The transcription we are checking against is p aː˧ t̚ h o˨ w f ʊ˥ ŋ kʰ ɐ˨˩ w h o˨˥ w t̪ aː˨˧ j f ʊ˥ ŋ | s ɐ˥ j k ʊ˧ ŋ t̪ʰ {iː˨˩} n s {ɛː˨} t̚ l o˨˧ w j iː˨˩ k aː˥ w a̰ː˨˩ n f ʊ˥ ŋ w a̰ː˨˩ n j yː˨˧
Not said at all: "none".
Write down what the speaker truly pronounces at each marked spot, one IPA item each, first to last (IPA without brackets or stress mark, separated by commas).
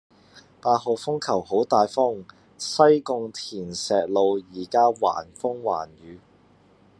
iː˨˩, ɛː˨